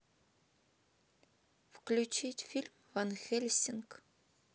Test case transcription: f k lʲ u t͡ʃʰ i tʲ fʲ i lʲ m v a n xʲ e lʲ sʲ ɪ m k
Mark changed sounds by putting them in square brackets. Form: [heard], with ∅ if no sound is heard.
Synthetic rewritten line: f k lʲ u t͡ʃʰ i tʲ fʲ i lʲ m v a n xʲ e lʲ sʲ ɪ [n] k